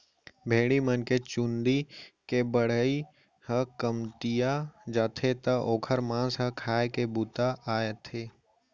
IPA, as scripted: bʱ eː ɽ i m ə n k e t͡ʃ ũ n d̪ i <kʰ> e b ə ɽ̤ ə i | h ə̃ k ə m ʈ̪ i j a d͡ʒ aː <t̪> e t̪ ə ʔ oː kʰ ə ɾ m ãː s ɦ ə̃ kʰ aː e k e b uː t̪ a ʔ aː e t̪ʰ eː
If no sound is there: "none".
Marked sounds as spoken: k, t̪ʰ

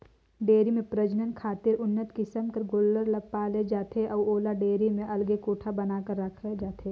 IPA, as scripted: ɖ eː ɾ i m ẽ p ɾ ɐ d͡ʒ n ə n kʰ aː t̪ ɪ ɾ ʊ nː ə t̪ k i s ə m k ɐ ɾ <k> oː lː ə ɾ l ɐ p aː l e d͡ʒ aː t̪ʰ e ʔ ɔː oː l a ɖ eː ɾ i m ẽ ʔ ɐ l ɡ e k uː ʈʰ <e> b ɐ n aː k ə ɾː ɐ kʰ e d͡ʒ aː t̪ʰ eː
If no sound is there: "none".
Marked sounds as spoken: ɡ, a

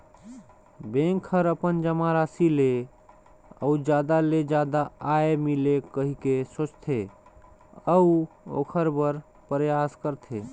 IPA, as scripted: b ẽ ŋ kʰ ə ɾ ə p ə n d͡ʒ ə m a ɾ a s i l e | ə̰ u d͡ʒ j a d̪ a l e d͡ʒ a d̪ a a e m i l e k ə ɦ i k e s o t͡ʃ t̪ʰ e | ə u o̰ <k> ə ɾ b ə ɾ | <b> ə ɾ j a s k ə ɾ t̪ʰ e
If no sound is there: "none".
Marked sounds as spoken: kʰ, p

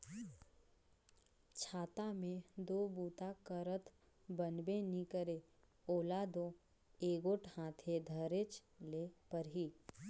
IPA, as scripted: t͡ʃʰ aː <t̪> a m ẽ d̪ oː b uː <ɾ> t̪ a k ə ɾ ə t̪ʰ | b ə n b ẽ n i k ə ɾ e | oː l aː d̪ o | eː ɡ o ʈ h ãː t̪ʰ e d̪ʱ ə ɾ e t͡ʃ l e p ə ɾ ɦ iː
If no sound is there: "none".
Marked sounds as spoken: t̪, none

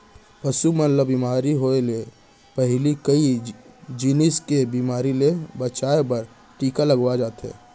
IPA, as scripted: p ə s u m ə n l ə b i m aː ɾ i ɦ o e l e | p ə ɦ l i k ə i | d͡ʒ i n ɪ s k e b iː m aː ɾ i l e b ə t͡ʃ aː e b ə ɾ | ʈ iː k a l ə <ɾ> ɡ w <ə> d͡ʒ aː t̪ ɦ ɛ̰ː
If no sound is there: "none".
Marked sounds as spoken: none, a

